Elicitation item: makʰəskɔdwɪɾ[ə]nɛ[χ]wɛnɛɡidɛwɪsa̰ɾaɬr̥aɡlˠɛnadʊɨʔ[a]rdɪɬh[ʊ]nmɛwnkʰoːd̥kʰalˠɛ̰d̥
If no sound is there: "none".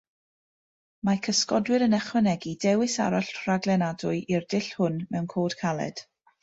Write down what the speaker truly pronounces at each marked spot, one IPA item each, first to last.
ə, χ, i, ʊ

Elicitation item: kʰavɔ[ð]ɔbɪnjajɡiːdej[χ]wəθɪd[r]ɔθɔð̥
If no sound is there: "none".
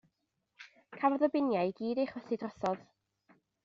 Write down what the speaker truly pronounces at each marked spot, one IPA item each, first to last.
ð, χ, r

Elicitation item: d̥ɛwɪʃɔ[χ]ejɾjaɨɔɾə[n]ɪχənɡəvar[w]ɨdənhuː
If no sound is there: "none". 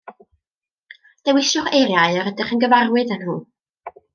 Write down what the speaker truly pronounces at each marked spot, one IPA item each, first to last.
χ, d, w

